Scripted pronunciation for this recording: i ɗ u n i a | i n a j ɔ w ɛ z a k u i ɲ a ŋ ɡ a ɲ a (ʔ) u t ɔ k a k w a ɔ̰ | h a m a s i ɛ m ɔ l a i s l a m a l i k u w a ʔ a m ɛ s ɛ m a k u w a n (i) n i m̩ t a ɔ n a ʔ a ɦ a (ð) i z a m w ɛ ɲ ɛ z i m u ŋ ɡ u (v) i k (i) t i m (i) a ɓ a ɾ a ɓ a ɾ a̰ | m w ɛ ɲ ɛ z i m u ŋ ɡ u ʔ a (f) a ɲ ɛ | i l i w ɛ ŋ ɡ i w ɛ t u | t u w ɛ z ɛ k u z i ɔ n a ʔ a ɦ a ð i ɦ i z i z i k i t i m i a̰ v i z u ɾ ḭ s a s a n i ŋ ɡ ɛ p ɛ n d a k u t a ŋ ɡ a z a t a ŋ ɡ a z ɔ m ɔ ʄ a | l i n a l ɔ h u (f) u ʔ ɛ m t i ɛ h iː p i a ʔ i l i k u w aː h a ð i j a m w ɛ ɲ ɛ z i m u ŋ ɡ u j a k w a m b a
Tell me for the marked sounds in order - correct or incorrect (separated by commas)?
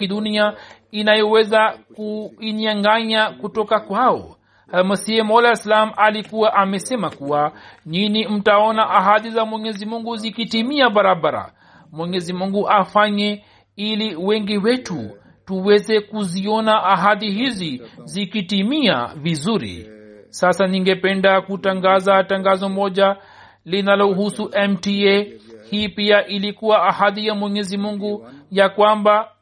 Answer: incorrect, correct, correct, incorrect, correct, correct, correct, incorrect